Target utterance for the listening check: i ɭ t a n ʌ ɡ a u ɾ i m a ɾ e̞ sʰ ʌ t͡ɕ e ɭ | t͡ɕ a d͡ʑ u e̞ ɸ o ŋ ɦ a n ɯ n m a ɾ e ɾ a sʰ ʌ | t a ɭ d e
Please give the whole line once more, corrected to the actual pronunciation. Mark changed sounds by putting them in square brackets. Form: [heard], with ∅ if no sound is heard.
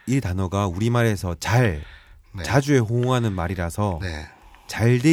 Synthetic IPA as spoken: i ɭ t a n ʌ ɡ a u ɾ i m a ɾ e̞ sʰ ʌ t͡ɕ [a] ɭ | t͡ɕ a d͡ʑ u e̞ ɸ o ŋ ɦ a n ɯ n m a ɾ [i] ɾ a sʰ ʌ | [t͡ɕ] a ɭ d e